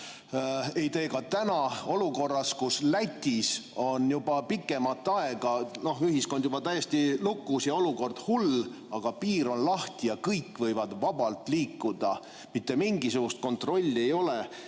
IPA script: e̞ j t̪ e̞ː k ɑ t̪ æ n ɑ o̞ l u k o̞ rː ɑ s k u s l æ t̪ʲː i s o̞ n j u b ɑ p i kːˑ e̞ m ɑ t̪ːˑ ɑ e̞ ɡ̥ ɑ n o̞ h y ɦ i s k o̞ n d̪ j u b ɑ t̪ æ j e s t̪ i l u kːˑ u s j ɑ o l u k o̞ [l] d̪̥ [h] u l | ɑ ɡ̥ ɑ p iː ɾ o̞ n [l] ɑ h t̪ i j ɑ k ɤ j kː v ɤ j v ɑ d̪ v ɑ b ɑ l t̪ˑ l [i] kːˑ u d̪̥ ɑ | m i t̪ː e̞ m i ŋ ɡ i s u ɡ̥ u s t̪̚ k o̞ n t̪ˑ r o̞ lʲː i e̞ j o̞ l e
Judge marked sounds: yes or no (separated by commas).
no, yes, yes, no